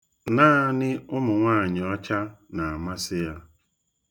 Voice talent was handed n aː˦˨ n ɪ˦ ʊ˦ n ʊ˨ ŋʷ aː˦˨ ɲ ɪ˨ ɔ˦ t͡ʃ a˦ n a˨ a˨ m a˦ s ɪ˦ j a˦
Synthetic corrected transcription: n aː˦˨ n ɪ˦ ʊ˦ m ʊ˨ ŋʷ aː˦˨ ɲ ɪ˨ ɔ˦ t͡ʃ a˦ n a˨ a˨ m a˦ s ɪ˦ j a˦